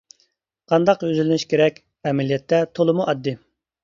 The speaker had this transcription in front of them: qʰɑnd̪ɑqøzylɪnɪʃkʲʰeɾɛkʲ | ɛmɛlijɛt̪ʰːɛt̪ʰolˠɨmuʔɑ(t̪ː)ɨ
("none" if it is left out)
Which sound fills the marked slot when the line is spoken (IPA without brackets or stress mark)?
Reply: d̪ː